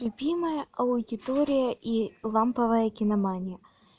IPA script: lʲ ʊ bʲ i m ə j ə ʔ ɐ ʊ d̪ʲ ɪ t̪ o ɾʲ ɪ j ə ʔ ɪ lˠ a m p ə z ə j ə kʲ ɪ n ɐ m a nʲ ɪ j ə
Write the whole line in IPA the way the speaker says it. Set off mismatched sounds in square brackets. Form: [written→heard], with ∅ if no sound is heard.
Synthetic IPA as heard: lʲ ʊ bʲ i m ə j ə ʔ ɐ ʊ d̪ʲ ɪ t̪ o ɾʲ ɪ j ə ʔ [ɪ→i] lˠ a m p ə [z→v] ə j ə kʲ ɪ n ɐ m a nʲ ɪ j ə